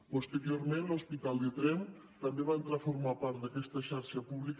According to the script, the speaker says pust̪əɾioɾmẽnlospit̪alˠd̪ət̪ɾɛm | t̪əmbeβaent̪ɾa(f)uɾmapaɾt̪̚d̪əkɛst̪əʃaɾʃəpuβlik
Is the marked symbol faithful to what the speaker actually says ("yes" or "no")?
yes